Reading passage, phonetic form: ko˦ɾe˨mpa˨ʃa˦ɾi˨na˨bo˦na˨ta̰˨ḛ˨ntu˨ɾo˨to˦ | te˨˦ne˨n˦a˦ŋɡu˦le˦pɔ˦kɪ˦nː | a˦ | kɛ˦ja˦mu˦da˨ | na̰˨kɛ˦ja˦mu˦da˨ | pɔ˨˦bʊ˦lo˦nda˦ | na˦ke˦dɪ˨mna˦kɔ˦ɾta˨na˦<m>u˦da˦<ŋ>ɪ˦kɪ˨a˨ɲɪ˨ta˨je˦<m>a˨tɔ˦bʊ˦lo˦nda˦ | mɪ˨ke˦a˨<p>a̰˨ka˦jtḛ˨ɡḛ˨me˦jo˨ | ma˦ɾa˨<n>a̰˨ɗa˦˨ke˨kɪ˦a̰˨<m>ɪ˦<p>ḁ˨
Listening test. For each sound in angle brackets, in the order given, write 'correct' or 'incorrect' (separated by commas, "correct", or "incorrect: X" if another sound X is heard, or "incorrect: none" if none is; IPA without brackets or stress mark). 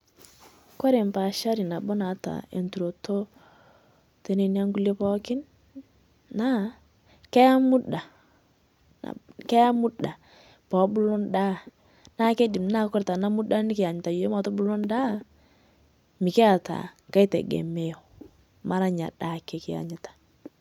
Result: correct, incorrect: n, correct, incorrect: t, incorrect: ɲ, incorrect: ɲ, incorrect: t